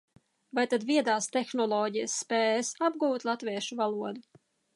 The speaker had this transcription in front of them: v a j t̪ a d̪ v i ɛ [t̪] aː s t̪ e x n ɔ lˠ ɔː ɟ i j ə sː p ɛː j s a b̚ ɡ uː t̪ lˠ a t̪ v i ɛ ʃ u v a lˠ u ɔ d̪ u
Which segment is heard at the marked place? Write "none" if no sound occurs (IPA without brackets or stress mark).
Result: d̪